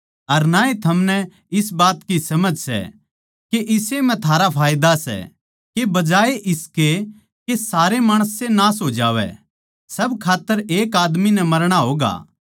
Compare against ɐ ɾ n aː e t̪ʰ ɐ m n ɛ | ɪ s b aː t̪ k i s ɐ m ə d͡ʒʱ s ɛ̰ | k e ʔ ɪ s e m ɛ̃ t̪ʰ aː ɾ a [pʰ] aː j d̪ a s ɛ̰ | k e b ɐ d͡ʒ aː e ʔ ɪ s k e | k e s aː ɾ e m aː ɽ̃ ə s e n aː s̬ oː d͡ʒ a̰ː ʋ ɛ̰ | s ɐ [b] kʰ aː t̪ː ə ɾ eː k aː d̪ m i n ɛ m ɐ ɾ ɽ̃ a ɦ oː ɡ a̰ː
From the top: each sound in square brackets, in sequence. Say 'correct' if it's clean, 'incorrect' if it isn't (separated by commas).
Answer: correct, correct